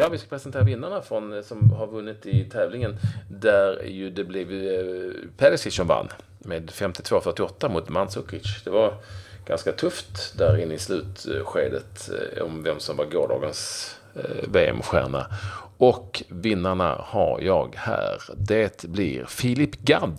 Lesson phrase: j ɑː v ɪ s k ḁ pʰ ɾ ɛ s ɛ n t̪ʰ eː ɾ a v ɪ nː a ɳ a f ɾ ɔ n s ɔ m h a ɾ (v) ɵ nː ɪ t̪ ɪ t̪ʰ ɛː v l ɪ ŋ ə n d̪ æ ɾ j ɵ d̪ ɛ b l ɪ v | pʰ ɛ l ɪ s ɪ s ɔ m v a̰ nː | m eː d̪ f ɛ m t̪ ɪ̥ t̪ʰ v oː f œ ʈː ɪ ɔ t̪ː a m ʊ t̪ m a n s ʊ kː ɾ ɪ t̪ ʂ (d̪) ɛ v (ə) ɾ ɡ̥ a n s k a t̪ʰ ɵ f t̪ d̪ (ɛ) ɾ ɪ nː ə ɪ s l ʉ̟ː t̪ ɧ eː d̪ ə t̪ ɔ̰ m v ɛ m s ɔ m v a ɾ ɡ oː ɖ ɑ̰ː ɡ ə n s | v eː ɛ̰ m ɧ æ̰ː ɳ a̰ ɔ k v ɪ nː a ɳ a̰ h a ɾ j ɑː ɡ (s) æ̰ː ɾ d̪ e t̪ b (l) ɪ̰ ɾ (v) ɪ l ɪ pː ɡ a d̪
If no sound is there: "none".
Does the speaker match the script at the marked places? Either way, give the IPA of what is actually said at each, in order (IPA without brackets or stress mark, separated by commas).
v, d̪, a, æ, h, l, f